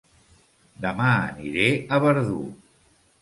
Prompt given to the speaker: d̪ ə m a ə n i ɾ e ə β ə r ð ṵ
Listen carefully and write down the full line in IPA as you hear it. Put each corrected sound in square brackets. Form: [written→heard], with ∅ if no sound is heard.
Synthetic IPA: d̪ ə m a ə n i ɾ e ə β ə [r→ɾ] ð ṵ